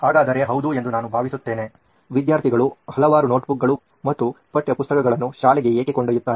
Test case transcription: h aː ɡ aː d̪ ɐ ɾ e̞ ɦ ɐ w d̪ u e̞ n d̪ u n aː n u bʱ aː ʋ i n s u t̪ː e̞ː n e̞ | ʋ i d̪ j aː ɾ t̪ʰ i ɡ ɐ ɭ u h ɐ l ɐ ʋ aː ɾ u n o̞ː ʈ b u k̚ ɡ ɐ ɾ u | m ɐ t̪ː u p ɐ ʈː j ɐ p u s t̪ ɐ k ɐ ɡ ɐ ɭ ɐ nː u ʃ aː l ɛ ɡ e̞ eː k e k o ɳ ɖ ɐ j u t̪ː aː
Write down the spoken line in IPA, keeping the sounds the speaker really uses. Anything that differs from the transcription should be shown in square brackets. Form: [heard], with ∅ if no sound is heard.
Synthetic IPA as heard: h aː ɡ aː d̪ ɐ ɾ e̞ ɦ ɐ w d̪ u e̞ n d̪ u n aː n u bʱ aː ʋ i [∅] s u t̪ː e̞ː n e̞ | ʋ i d̪ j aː ɾ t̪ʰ i ɡ ɐ ɭ u h ɐ l ɐ ʋ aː ɾ u n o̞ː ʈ b u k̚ ɡ ɐ [ɭ] u | m ɐ t̪ː u p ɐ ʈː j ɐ p u s t̪ ɐ k ɐ ɡ ɐ ɭ ɐ nː u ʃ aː l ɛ ɡ e̞ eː k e k o ɳ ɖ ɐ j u t̪ː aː